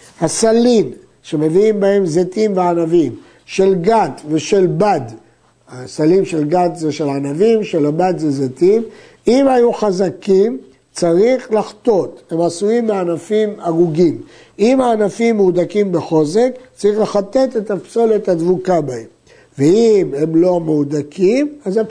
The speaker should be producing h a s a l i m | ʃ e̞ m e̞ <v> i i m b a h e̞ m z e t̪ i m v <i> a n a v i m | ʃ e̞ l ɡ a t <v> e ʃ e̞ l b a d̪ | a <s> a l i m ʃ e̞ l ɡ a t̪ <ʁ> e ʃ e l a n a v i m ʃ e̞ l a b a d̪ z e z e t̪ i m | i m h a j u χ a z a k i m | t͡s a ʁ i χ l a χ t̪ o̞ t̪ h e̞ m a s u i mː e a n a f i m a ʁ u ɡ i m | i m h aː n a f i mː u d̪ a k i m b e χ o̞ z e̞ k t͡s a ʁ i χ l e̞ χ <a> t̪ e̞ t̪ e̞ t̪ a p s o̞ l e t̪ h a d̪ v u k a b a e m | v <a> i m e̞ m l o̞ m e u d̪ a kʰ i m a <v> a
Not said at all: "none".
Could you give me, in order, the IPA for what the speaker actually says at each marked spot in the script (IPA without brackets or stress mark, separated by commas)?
v, e, v, s, z, a, e, z